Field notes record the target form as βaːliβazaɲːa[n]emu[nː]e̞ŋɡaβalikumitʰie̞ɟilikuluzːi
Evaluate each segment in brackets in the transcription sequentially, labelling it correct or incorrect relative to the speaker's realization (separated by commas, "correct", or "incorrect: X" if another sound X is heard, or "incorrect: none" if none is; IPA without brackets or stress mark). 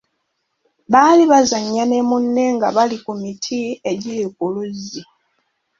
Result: correct, correct